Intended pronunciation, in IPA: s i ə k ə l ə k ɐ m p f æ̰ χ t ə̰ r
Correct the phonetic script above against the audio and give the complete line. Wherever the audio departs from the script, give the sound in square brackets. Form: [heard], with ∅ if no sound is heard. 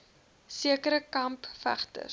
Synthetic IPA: s i ə k ə [ɾ] ə k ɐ m p f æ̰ χ t ə̰ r

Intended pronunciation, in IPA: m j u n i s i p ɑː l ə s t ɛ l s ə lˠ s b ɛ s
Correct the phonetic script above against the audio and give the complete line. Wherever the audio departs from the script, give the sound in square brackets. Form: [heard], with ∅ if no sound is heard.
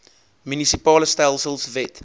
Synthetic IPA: m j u n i s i p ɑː l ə s t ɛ l s ə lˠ s [v] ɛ [t]

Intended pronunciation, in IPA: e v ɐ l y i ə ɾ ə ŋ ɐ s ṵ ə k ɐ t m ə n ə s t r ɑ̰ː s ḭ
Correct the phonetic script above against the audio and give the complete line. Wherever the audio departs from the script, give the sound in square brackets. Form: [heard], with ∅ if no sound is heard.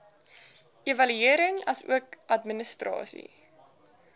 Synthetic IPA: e v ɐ l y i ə ɾ ə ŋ ɐ s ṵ ə k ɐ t m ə n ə s t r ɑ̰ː s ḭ

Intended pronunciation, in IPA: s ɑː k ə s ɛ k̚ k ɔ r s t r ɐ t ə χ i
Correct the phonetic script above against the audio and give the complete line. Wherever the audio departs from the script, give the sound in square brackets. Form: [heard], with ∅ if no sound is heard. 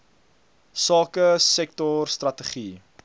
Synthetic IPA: s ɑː k ə s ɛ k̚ [t] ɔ r s t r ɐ t ə χ i

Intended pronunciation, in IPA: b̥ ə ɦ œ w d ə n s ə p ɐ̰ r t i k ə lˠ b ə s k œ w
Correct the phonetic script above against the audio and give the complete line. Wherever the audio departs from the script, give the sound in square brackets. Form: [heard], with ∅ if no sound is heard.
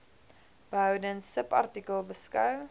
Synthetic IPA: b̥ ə ɦ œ w d ə n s ə p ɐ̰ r t i k ə lˠ b ə s k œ w

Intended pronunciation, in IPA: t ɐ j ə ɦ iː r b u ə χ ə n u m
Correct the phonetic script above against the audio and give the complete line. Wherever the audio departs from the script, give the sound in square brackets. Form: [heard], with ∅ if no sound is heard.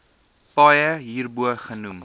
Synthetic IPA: [p] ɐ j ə ɦ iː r b u ə χ ə n u m

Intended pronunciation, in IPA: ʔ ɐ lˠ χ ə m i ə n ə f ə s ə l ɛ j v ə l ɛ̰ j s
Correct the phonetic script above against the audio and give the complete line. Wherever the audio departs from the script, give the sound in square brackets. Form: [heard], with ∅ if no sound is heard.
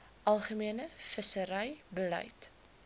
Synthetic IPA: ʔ ɐ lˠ χ ə m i ə n ə f ə s ə [ɾ] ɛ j [b] ə l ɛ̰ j [t]

